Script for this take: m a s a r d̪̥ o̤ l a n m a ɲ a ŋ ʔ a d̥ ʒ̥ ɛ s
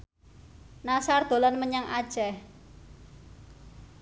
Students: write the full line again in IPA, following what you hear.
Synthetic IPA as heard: n a s a r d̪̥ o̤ l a n m ə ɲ a ŋ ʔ a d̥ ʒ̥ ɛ h